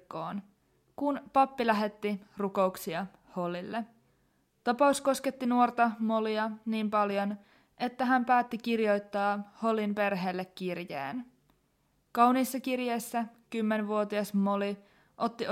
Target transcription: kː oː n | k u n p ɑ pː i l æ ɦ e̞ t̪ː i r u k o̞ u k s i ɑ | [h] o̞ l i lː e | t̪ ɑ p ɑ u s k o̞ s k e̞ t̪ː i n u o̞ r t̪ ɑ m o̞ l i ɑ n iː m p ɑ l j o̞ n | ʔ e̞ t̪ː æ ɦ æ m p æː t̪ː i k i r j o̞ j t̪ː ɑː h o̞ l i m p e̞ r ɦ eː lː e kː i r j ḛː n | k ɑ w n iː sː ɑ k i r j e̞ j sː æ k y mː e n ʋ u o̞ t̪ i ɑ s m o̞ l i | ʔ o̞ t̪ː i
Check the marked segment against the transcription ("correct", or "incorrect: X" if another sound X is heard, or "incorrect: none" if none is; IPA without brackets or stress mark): correct